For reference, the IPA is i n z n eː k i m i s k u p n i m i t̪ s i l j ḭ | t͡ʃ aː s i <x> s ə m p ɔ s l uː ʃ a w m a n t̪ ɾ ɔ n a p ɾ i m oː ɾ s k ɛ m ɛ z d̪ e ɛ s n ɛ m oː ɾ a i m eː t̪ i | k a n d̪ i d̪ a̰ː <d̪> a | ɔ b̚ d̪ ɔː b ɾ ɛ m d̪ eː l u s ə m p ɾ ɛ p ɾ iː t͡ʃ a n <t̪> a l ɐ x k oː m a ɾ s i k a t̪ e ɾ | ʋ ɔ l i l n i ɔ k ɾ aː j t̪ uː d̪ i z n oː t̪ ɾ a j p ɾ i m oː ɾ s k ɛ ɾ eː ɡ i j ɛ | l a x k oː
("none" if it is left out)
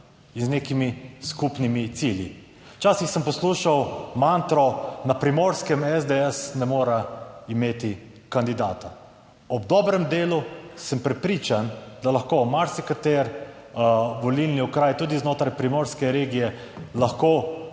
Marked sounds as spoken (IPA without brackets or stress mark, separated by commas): x, t̪, d̪